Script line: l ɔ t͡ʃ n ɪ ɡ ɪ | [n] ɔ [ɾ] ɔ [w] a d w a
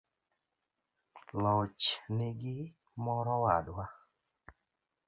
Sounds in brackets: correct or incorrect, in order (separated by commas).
incorrect, correct, correct